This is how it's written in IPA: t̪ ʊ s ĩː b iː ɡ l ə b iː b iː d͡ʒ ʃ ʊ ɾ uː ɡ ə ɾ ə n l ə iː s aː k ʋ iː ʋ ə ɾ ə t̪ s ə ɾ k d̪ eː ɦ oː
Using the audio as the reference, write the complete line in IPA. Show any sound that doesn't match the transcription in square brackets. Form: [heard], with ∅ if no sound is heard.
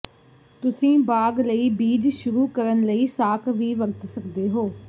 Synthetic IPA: t̪ ʊ s ĩː b [aː] ɡ l ə [∅] iː b iː d͡ʒ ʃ ʊ ɾ uː [k] ə ɾ ə n l ə iː s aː k ʋ iː ʋ ə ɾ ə t̪ s ə [∅] k d̪ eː ɦ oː

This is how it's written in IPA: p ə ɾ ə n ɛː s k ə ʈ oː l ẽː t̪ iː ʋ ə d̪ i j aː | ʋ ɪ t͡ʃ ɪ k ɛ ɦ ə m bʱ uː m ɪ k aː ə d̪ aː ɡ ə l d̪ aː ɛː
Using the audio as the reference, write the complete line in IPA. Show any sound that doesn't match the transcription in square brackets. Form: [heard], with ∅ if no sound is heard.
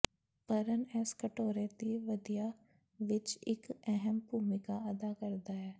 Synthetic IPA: p ə ɾ ə n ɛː s k ə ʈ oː [ɾ] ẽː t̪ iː ʋ ə d̪ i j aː | ʋ ɪ t͡ʃ ɪ k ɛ ɦ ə m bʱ uː m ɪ k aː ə d̪ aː [k] ə [ɾ] d̪ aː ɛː

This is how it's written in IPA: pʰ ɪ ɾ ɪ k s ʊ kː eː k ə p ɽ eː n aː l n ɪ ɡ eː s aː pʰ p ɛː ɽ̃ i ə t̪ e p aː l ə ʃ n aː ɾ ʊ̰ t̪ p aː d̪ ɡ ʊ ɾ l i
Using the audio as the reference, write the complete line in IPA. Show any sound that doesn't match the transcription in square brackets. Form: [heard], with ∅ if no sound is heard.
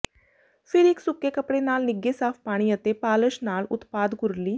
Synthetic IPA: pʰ ɪ ɾ ɪ k s ʊ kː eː k ə p ɽ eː n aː l n ɪ ɡ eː s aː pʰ p [aː] ɽ̃ i ə t̪ e p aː l ə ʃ n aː [l] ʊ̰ t̪ p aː d̪ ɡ ʊ ɾ l [iː]

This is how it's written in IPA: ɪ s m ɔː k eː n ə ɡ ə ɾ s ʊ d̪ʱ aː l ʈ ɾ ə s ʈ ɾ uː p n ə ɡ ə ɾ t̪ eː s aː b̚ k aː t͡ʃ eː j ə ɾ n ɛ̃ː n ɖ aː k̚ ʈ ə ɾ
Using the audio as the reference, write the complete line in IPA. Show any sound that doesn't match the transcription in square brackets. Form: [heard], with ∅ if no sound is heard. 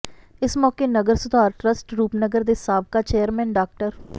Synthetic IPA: ɪ s m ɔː k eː n ə ɡ ə ɾ s ʊ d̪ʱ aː [ɾ] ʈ ɾ ə s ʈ ɾ uː p n ə ɡ ə ɾ [d̪] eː s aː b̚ k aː t͡ʃ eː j ə ɾ [m] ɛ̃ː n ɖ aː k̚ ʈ ə ɾ

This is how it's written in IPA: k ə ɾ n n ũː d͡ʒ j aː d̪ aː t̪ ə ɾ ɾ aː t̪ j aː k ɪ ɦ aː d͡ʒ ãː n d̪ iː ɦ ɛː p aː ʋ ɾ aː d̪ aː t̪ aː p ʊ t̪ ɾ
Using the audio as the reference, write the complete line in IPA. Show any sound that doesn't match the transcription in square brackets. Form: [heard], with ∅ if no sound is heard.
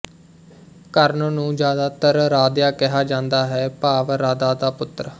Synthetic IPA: k ə ɾ n n ũː d͡ʒ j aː d̪ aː t̪ ə ɾ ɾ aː [d̪] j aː k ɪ ɦ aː d͡ʒ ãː n d̪ [aː] ɦ ɛː p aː ʋ ɾ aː d̪ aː [d̪] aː p ʊ t̪ ɾ

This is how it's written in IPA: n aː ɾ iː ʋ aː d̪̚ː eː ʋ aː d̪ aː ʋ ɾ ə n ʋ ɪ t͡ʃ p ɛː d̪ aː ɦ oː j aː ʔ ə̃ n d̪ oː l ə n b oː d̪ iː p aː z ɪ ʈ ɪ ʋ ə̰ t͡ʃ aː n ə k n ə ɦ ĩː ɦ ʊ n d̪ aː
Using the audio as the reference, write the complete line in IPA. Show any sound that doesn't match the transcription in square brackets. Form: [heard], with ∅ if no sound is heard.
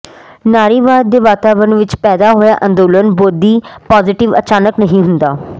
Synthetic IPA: n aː ɾ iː ʋ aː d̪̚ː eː ʋ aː [t̪] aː ʋ ɾ ə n ʋ ɪ t͡ʃ p ɛː d̪ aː ɦ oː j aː ʔ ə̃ n d̪ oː l ə n b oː d̪ iː p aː z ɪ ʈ ɪ ʋ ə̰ t͡ʃ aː n ə k n ə ɦ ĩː ɦ ʊ n d̪ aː

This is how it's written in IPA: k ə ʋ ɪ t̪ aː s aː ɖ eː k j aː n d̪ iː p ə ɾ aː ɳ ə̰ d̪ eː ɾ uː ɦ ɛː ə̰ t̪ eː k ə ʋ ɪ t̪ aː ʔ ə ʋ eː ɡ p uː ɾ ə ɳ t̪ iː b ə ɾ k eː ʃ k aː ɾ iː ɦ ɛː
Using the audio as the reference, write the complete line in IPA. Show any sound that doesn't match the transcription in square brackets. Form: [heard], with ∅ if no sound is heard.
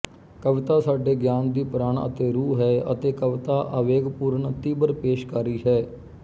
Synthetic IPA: k ə ʋ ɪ t̪ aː s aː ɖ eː [ɡ] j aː n d̪ iː p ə ɾ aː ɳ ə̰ [t̪] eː ɾ uː ɦ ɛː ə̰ t̪ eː k ə ʋ ɪ t̪ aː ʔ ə ʋ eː ɡ p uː ɾ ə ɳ t̪ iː b ə ɾ [p] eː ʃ k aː ɾ iː ɦ ɛː

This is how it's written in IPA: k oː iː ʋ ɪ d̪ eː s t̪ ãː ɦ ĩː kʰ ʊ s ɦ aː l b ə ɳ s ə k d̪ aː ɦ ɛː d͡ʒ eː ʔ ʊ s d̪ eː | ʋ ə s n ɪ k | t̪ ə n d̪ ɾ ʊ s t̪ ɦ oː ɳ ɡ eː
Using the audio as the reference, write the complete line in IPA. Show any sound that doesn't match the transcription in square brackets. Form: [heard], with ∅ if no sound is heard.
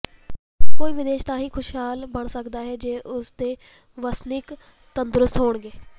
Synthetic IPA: k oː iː ʋ ɪ d̪ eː [ʃ] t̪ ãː ɦ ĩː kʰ ʊ [ʃ] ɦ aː l b ə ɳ s ə k d̪ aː ɦ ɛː d͡ʒ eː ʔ ʊ s d̪ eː | ʋ ə s n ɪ k | t̪ ə n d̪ ɾ ʊ s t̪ ɦ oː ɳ ɡ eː

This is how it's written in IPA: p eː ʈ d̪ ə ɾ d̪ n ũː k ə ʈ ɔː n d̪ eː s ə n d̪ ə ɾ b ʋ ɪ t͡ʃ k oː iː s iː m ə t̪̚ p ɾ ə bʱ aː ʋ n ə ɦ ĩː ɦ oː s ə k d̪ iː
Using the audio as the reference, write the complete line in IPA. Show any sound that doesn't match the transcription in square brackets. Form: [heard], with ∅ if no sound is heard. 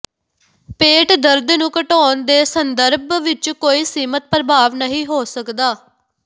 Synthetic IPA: p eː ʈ d̪ ə ɾ d̪ n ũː k ə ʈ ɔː n d̪ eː s ə n d̪ ə ɾ b ʋ ɪ t͡ʃ k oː iː s iː m ə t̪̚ p ɾ ə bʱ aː ʋ n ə ɦ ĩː ɦ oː s ə k d̪ [aː]

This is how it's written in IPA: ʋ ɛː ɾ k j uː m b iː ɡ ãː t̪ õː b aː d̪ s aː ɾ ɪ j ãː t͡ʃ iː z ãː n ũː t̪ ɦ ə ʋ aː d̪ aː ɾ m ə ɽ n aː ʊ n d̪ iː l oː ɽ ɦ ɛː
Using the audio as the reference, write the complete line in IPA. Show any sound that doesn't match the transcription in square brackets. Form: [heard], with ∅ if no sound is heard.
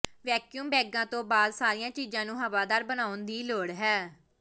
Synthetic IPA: ʋ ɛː [∅] k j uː m b [ɛː] ɡ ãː t̪ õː b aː d̪ s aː ɾ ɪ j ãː t͡ʃ iː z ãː n ũː [∅] ɦ ə ʋ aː d̪ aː ɾ [b] ə [∅] n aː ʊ n d̪ iː l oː ɽ ɦ ɛː

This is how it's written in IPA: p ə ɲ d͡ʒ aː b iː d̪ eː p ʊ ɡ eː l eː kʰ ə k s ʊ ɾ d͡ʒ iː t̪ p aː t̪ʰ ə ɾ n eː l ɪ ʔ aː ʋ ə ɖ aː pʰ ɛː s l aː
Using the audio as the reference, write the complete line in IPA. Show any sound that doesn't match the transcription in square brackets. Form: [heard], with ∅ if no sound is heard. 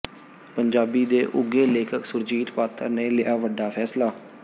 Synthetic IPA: p ə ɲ d͡ʒ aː b iː d̪ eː [ʔ] ʊ ɡ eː l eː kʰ ə k s ʊ ɾ d͡ʒ iː t̪ p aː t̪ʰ ə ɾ n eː l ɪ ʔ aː ʋ ə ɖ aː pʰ ɛː s l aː

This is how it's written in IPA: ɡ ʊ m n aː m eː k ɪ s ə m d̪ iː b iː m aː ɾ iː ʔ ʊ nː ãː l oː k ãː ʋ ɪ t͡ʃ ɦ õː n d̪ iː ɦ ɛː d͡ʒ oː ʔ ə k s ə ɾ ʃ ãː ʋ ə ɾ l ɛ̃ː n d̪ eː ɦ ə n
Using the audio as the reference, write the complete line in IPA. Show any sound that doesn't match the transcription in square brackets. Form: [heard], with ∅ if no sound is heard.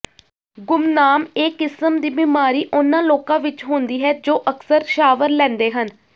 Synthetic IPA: ɡ ʊ m n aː m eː k ɪ s ə m d̪ iː b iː m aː ɾ iː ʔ ʊ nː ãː l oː k ãː ʋ ɪ t͡ʃ ɦ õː n d̪ iː ɦ ɛː d͡ʒ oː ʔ ə k s ə ɾ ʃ [aː] ʋ ə ɾ l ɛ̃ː n d̪ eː ɦ ə n

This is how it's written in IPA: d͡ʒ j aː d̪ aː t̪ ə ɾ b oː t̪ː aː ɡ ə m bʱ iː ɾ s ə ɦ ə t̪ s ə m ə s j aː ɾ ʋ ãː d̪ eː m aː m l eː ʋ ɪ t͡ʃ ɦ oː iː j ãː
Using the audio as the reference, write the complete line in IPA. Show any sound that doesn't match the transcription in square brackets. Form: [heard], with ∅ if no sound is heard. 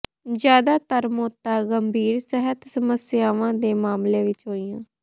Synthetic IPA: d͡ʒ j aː d̪ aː t̪ ə ɾ [m] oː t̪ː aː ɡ ə m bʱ iː ɾ s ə ɦ ə t̪ s ə m ə s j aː [∅] ʋ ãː d̪ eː m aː m l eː ʋ ɪ t͡ʃ ɦ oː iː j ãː

